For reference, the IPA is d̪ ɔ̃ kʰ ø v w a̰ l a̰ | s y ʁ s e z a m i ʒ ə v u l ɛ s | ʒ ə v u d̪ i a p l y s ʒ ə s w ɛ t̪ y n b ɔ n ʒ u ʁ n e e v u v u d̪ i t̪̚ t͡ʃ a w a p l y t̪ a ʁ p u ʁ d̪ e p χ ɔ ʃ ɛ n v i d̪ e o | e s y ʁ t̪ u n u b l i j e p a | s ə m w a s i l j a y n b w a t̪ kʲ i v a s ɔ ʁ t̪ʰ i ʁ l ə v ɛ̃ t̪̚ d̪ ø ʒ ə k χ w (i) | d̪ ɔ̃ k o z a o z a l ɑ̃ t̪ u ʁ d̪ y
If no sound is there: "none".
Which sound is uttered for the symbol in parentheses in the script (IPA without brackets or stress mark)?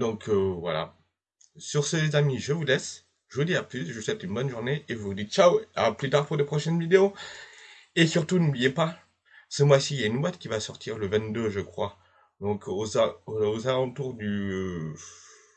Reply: a